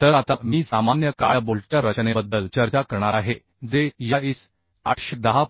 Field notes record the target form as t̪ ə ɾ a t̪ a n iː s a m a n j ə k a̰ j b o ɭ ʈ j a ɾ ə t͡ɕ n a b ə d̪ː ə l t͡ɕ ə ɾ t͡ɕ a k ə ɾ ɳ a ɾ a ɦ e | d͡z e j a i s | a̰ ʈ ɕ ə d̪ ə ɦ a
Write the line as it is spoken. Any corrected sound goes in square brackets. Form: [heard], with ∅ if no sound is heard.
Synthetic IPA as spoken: t̪ ə ɾ a t̪ a [m] iː s a m a n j ə k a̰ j b o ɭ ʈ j a ɾ ə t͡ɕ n [e] b ə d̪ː ə l t͡ɕ ə ɾ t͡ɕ a k ə ɾ ɳ a ɾ a ɦ e | d͡z e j a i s | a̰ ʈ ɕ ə d̪ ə ɦ a